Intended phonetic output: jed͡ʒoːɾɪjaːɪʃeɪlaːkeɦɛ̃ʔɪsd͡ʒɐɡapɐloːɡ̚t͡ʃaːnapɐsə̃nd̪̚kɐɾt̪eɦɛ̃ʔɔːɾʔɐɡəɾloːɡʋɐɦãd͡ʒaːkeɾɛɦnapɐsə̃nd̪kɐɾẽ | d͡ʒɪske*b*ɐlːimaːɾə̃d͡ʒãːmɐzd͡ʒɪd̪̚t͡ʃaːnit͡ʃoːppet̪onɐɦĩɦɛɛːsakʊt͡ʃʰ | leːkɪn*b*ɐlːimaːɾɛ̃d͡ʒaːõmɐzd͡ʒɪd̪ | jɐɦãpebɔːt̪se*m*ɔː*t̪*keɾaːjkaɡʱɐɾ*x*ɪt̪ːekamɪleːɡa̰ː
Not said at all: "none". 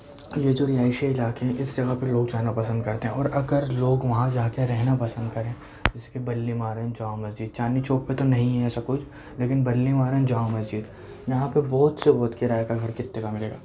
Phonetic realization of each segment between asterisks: b, b, b, t̪, k

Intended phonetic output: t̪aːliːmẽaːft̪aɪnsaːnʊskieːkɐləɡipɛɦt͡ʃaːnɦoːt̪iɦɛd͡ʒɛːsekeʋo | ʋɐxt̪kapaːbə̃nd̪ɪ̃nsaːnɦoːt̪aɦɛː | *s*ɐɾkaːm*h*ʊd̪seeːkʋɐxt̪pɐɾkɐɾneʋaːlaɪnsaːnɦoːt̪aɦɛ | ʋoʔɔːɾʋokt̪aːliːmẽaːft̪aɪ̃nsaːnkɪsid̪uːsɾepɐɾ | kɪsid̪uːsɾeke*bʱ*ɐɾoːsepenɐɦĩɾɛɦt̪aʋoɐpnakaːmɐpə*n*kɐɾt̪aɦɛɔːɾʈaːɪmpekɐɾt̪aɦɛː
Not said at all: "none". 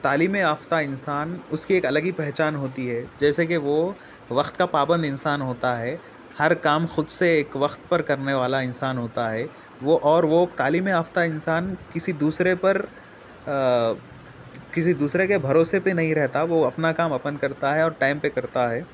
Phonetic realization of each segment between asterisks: h, x, bʱ, n

